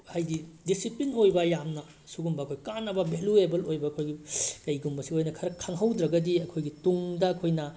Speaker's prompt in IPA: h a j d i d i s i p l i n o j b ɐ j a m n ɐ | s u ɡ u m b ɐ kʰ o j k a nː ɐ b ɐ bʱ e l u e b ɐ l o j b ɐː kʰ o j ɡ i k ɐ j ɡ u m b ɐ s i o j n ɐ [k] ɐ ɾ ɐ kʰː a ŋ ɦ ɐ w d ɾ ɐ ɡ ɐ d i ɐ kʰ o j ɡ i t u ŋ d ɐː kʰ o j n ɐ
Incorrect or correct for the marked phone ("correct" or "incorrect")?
incorrect